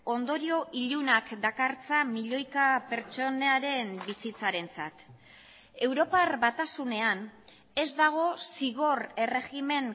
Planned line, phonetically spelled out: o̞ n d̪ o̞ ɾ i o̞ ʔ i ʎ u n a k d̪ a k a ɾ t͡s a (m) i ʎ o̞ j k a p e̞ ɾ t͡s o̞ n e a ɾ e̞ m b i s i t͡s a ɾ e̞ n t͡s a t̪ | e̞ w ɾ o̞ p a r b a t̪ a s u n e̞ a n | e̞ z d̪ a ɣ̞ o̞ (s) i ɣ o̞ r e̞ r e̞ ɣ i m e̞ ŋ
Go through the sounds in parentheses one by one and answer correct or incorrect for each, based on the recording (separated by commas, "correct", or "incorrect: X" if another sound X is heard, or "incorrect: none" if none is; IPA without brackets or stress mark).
correct, correct